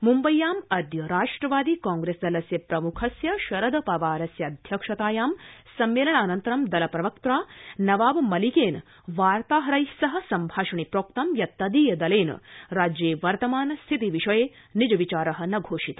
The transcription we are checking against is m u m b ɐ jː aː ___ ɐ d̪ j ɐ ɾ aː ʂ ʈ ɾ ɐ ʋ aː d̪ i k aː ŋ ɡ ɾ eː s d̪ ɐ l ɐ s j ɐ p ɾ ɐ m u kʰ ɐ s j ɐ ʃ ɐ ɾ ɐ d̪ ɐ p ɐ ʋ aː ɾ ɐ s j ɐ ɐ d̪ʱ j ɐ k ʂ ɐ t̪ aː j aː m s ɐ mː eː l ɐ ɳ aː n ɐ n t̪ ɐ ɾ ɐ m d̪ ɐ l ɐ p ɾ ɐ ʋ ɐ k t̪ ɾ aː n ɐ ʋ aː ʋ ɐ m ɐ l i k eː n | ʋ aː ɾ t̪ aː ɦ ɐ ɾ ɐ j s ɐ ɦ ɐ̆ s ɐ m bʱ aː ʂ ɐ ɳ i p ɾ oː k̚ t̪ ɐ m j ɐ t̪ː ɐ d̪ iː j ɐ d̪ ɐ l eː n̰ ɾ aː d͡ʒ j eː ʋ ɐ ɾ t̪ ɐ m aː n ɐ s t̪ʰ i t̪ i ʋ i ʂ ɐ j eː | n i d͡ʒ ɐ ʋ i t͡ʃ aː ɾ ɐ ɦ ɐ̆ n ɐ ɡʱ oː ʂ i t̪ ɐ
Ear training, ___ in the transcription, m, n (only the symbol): m